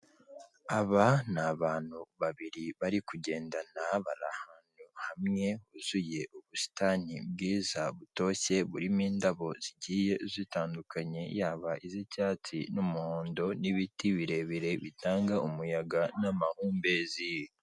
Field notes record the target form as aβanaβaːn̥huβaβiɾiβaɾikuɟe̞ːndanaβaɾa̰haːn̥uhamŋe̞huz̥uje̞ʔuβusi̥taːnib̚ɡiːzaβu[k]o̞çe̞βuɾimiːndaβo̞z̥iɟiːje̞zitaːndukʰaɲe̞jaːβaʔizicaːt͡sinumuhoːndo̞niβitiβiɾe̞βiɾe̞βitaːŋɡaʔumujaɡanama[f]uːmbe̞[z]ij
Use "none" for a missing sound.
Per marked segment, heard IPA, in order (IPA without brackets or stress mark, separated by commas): t, h, z